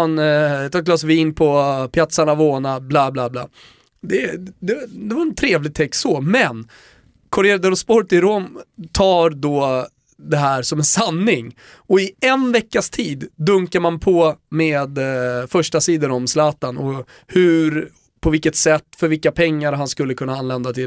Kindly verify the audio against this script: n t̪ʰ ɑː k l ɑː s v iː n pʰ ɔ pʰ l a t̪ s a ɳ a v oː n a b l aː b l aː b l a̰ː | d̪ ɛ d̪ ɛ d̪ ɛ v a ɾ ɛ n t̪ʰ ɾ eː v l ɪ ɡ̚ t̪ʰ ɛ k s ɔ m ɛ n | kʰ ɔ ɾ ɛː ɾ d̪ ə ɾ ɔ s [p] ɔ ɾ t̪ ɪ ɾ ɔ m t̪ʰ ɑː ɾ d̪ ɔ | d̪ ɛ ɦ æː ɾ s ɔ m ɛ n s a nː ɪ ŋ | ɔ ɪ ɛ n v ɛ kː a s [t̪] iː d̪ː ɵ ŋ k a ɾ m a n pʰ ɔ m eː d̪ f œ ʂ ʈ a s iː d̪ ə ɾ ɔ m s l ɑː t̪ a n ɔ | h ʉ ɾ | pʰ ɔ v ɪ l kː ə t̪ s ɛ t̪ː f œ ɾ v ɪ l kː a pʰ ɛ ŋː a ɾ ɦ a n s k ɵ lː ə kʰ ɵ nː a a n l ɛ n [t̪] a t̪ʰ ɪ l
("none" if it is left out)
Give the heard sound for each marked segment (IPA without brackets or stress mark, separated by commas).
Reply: p, t̪ʰ, d̪